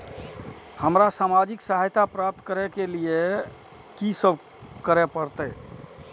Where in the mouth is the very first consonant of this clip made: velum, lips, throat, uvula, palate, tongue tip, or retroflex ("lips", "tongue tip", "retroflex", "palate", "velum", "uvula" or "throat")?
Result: throat